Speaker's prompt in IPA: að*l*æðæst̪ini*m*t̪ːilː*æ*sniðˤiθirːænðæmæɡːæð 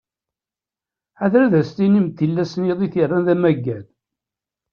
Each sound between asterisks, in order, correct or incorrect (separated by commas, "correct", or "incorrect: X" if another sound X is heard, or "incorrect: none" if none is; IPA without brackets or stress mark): incorrect: ɾ, correct, correct